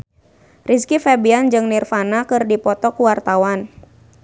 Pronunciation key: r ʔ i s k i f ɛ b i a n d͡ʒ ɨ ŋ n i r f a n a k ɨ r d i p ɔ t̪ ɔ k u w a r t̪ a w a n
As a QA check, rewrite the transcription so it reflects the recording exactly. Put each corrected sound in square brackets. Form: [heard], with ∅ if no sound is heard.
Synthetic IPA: r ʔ i s k i f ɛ b i a n d͡ʒ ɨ ŋ n i r f a n a k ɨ r d i p ɔ t̪ ɔ k u w a r t̪ a w a n